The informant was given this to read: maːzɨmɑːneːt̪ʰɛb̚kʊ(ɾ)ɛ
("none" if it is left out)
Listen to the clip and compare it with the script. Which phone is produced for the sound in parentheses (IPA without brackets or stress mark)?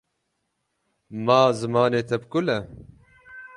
l